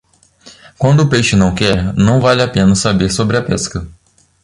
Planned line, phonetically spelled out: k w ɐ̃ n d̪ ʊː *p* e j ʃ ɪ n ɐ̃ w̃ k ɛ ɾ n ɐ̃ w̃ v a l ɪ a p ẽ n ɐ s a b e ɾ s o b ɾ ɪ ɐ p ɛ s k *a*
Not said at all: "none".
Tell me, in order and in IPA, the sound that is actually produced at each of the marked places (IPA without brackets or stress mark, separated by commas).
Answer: p, ɐ